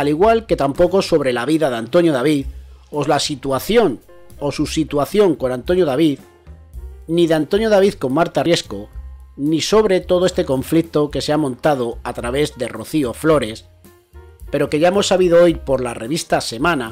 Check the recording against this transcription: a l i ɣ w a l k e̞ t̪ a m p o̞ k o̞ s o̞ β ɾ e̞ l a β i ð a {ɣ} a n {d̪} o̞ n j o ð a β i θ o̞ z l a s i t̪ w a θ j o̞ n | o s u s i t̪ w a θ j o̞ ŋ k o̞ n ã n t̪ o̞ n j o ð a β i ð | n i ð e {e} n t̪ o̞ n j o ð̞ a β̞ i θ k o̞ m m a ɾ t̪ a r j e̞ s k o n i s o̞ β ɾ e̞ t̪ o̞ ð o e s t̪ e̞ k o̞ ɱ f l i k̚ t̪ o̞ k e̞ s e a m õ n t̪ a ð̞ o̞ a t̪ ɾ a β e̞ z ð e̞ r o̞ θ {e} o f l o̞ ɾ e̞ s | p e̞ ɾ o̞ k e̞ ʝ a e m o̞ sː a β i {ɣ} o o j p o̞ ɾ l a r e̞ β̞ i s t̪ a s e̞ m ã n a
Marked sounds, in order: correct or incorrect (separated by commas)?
incorrect, incorrect, incorrect, incorrect, incorrect